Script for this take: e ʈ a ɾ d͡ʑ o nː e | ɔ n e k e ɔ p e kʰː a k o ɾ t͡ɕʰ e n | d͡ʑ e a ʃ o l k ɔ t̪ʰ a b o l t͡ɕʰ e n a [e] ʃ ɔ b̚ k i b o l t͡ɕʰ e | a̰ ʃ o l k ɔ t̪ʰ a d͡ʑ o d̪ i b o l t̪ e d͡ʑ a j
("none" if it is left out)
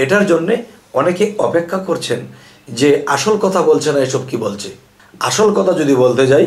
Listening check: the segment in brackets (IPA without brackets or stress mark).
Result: e